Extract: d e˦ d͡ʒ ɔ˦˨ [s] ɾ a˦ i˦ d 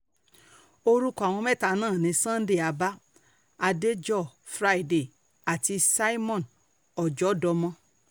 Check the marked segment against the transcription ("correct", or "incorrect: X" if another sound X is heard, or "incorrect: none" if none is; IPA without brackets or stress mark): incorrect: f